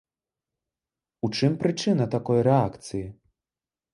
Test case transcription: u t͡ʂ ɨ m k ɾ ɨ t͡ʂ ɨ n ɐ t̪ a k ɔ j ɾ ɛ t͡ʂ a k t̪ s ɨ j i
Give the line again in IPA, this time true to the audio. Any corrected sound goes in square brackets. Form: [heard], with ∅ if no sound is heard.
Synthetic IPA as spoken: u t͡ʂ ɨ m [p] ɾ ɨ t͡ʂ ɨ n ɐ t̪ a k ɔ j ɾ ɛ [∅] a k t̪ s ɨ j i